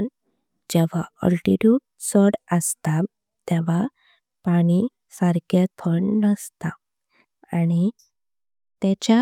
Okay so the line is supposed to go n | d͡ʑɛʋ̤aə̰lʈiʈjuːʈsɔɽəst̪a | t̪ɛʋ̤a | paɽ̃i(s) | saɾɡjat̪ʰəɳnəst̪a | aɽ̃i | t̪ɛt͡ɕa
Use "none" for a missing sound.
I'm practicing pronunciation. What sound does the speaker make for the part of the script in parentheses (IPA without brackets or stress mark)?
none